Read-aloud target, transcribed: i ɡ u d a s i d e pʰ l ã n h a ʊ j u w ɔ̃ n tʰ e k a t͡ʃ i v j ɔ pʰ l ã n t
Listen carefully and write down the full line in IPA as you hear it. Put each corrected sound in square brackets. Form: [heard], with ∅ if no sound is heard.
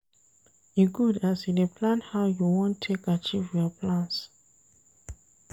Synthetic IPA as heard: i ɡ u d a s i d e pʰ l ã n h a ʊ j u w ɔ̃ n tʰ e k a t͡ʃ i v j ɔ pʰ l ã n [s]